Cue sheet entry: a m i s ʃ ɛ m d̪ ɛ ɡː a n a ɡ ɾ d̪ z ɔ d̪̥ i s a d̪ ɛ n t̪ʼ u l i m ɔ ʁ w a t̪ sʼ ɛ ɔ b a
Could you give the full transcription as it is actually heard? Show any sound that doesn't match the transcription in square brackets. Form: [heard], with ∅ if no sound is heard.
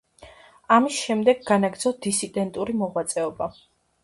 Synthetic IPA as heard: a m i s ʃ ɛ m d̪ ɛ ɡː a n a ɡ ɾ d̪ z ɔ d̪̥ i s [i] d̪ ɛ n t̪ʼ u [ɾ] i m ɔ ʁ w a t̪ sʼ ɛ ɔ b a